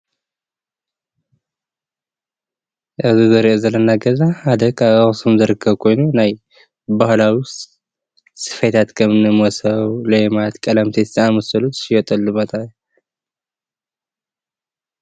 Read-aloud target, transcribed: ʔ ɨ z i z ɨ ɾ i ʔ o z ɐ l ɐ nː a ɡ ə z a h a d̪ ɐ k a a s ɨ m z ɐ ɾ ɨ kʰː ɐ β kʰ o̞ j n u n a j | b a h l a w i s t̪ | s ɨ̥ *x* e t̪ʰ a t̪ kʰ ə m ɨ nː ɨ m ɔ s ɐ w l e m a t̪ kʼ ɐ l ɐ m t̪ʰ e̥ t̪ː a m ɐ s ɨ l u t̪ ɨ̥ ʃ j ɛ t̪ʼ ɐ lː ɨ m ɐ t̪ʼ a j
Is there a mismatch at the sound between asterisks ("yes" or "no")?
yes